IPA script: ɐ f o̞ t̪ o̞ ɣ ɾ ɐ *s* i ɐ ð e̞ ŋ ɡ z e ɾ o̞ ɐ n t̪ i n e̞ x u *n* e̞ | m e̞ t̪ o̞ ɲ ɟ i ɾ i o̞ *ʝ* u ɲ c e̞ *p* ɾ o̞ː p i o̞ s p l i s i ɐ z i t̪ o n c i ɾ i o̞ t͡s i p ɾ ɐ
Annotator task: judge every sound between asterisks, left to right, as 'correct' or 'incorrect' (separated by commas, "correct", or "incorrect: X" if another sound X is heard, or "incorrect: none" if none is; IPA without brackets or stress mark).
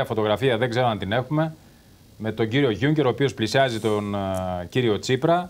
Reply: incorrect: f, incorrect: m, correct, incorrect: none